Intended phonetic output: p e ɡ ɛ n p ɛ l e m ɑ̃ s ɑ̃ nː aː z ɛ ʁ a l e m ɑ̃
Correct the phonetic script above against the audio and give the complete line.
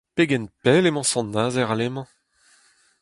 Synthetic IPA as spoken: p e ɡ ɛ n p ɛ l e m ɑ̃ s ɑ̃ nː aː z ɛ ʁ a l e m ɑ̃